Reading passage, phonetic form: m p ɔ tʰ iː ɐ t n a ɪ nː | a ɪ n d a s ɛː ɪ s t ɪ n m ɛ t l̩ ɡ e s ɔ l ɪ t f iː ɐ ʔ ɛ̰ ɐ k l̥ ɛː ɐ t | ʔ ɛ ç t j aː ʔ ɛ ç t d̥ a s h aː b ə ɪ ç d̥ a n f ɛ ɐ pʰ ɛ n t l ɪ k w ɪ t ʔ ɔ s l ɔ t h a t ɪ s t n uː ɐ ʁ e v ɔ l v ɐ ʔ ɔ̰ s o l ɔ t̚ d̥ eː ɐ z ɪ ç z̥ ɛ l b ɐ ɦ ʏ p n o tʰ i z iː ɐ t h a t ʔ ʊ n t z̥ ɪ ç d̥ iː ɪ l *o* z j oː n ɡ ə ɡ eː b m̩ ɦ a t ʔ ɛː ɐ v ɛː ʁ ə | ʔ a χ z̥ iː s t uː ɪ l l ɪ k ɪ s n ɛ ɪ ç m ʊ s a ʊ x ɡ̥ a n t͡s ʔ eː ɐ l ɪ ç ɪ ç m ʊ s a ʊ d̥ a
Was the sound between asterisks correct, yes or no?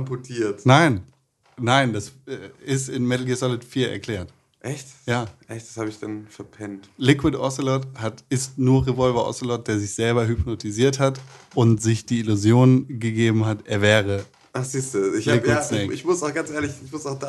no